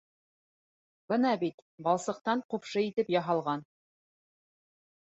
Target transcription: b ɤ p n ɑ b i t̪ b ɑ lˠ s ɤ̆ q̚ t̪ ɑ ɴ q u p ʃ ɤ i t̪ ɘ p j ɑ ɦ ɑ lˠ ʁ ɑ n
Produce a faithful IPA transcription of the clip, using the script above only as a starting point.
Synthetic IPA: b ɤ n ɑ b i t̪ b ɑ lˠ s ɤ̆ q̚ t̪ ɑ ɴ q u p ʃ ɤ i t̪ ɘ p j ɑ ɦ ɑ lˠ ʁ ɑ n